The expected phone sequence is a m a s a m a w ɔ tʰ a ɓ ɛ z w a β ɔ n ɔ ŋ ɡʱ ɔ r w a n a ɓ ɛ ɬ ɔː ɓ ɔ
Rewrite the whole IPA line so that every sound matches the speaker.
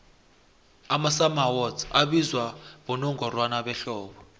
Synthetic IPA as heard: a m a s a m a w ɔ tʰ a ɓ i z w a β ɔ n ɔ ŋ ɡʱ ɔ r w a n a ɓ ɛ ɬ ɔː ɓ ɔ